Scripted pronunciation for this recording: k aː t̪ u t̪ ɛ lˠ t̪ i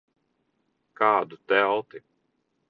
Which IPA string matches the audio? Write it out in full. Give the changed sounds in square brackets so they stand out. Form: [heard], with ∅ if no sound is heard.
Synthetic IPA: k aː [d̪] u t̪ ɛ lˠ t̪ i